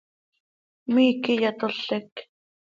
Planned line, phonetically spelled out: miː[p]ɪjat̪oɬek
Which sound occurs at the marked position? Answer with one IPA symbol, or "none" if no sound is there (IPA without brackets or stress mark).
k